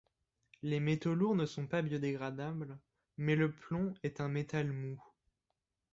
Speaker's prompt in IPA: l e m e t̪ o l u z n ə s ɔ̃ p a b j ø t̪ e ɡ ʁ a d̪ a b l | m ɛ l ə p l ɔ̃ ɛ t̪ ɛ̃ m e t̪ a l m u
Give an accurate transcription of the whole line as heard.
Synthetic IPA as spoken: l e m e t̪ o l u ʁ n ə s ɔ̃ p a b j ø d̪ e ɡ ʁ a d̪ a b l | m ɛ l ə p l ɔ̃ ɛ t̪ ɛ̃ m e t̪ a l m u